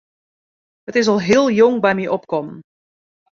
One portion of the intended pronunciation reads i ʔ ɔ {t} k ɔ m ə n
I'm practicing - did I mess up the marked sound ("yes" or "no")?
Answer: yes